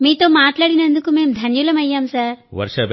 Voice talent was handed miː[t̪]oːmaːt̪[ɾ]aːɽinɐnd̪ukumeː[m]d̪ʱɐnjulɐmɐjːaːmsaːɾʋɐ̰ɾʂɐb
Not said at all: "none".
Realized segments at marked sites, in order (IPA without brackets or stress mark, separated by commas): t̪, l, m